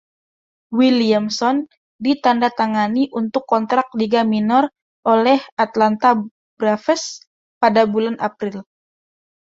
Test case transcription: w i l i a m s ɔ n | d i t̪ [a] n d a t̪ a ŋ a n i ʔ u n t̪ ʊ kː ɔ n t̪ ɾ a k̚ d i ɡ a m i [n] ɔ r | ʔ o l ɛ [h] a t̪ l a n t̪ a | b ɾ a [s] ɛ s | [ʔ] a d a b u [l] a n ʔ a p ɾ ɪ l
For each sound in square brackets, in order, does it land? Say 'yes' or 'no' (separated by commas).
yes, yes, yes, no, no, yes